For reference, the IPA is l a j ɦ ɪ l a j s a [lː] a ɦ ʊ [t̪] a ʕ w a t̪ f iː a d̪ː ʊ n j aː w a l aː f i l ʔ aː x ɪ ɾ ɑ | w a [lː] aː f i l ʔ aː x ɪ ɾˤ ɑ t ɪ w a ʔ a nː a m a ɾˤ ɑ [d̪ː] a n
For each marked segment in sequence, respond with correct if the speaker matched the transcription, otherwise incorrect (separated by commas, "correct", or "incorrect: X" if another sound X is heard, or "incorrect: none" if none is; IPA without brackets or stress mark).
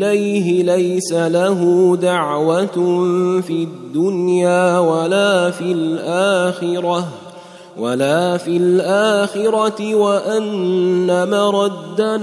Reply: incorrect: l, incorrect: d̪, incorrect: l, correct